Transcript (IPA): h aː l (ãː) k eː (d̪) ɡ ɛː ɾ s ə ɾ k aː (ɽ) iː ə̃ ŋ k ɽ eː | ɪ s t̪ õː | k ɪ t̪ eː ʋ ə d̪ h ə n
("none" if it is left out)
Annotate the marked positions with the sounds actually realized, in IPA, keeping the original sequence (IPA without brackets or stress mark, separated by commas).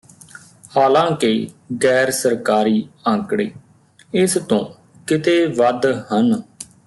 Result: ãː, none, ɾ